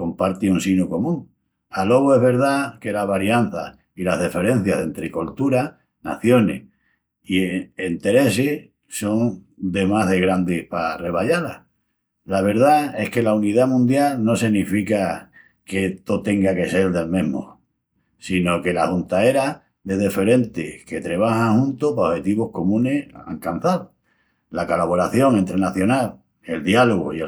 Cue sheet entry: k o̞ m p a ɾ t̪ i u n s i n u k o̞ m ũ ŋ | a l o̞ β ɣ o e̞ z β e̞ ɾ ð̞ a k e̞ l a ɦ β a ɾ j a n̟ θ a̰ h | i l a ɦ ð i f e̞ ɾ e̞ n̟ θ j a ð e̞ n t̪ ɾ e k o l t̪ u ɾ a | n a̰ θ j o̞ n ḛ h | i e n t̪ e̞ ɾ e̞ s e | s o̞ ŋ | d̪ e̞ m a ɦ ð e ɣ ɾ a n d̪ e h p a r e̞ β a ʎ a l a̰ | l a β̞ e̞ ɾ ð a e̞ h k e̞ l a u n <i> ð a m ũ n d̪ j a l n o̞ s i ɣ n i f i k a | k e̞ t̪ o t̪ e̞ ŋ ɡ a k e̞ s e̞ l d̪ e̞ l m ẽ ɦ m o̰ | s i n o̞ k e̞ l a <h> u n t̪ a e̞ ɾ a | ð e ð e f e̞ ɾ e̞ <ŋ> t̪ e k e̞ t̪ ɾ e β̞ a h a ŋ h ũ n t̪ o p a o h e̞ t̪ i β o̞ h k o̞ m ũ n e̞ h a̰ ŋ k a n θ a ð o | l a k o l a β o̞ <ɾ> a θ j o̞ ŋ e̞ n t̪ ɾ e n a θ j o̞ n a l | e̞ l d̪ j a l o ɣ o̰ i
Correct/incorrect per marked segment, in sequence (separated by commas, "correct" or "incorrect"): correct, correct, incorrect, correct